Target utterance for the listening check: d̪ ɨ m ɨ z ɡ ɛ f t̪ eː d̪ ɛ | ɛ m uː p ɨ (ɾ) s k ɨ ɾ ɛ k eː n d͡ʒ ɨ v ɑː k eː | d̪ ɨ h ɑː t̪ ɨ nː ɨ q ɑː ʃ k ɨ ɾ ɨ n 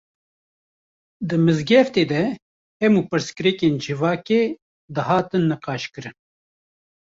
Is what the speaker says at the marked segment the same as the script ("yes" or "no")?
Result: yes